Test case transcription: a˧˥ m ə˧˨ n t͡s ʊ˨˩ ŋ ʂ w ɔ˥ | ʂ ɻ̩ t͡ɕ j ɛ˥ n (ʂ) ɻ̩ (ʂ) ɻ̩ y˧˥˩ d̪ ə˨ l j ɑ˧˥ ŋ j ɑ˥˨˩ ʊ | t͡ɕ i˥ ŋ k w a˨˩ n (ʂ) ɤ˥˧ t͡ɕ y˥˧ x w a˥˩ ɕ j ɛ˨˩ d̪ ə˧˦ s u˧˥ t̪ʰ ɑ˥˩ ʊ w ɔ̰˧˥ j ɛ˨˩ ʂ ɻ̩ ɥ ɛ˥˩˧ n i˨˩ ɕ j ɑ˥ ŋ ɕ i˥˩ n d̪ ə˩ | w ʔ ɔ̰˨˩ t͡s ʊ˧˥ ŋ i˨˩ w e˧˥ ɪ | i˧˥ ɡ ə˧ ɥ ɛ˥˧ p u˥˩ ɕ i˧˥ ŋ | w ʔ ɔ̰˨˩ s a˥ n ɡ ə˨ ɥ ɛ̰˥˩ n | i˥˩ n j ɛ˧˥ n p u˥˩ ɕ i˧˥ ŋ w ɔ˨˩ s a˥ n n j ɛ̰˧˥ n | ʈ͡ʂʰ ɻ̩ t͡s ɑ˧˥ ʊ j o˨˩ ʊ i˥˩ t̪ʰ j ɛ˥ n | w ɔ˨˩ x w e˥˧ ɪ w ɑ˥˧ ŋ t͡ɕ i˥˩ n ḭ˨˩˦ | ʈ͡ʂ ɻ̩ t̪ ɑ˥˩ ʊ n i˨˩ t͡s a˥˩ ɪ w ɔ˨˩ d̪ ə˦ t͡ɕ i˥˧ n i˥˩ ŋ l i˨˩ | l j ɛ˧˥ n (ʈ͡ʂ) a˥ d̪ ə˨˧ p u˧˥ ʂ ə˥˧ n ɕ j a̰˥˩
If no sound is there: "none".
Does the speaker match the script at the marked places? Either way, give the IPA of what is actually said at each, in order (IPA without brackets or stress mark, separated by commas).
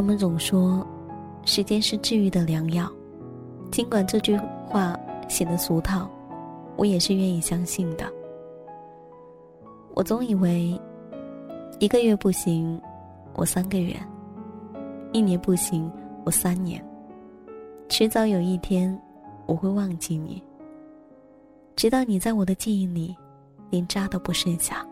ʂ, ʈ͡ʂ, ʈ͡ʂ, ʈ͡ʂ